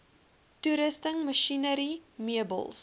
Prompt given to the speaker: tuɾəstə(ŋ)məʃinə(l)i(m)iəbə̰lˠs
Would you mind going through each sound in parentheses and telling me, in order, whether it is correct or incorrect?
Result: correct, incorrect: ɾ, correct

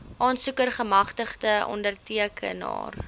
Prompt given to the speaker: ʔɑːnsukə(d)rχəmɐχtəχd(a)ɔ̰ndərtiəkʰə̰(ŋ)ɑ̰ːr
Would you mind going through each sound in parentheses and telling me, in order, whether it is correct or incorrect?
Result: incorrect: none, incorrect: ə, incorrect: n

